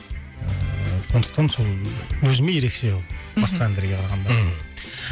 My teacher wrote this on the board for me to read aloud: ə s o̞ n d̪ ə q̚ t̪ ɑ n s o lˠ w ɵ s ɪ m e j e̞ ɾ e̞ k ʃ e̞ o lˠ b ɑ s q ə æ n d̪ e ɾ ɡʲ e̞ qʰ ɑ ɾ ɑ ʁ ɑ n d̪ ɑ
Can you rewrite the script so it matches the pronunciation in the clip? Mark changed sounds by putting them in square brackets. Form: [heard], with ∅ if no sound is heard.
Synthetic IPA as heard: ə s o̞ n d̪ ə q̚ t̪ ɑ n s o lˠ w ɵ [z] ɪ m e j e̞ ɾ e̞ k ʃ e̞ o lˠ b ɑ s q [ɑ] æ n d̪ e ɾ ɡʲ e̞ qʰ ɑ ɾ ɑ ʁ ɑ n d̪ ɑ